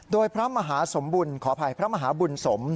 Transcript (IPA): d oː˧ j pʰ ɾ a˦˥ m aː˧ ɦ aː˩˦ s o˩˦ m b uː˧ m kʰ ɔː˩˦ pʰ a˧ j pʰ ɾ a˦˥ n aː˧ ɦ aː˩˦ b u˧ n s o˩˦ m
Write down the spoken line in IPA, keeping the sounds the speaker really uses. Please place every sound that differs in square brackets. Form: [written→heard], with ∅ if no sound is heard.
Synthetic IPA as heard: d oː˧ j pʰ ɾ a˦˥ m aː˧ ɦ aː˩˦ s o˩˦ m b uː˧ [m→n] kʰ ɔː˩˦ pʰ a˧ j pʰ ɾ a˦˥ [n→m] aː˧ ɦ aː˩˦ b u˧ n s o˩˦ m